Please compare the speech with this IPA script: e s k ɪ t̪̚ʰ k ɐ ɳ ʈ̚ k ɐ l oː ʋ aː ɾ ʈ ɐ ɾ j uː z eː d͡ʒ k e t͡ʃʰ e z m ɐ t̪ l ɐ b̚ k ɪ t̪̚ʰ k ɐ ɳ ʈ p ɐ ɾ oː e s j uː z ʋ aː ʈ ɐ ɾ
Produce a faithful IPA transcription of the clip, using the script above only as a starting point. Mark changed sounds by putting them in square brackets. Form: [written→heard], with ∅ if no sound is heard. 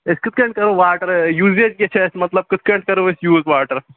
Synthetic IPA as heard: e s k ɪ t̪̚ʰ k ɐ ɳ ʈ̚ k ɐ [l→ɾ] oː ʋ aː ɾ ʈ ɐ ɾ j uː z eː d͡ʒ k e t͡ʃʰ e [z→s] m ɐ t̪ l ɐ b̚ k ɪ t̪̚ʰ k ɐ ɳ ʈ [p→k] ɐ ɾ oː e s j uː z ʋ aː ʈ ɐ ɾ